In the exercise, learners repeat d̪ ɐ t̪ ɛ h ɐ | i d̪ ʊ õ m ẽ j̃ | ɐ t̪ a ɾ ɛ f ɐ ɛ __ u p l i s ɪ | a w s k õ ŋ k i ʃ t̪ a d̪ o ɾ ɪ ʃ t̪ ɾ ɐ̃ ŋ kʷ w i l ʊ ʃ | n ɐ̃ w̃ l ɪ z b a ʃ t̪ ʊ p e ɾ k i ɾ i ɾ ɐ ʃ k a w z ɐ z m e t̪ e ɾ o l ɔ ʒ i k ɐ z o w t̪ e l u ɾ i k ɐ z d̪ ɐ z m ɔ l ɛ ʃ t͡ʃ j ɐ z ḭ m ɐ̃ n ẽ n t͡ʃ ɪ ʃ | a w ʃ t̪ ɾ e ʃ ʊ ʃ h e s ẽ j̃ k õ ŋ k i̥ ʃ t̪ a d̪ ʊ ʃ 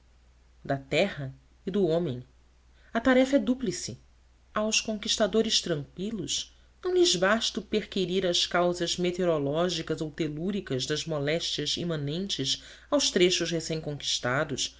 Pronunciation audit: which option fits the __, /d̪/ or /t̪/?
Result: d̪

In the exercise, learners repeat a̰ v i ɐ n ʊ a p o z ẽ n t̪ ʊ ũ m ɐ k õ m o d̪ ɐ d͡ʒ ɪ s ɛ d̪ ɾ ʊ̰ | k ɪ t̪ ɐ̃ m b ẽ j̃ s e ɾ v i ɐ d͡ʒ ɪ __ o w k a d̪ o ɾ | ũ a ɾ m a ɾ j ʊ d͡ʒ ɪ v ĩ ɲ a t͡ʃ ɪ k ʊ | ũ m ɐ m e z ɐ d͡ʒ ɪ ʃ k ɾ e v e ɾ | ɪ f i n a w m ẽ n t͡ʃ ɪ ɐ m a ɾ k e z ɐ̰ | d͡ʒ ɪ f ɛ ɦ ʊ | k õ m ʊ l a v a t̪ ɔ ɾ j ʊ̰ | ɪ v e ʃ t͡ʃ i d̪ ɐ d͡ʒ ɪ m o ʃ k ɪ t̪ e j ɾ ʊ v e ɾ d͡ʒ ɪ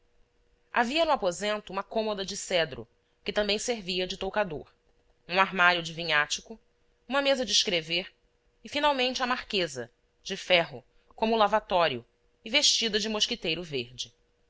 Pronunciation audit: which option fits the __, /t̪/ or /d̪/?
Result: t̪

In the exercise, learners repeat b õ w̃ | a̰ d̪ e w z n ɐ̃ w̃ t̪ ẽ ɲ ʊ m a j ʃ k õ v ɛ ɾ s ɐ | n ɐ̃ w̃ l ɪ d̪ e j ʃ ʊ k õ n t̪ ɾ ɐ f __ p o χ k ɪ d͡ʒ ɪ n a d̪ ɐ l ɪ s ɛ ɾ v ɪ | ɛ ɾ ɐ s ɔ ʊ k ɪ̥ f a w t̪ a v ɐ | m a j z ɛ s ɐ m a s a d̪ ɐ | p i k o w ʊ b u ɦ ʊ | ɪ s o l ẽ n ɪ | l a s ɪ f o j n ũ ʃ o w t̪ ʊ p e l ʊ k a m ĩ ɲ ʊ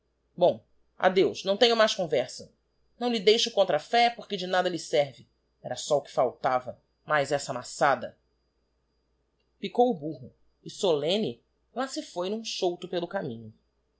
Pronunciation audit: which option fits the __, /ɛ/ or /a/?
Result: ɛ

